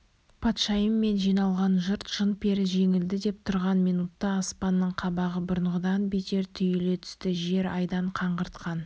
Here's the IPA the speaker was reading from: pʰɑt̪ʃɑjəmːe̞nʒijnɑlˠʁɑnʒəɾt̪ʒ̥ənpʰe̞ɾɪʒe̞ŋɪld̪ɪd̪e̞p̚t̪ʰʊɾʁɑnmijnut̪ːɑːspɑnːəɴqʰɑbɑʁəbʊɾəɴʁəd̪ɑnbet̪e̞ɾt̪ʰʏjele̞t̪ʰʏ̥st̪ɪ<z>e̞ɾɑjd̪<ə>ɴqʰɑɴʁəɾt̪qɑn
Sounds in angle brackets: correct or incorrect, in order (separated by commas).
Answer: incorrect, incorrect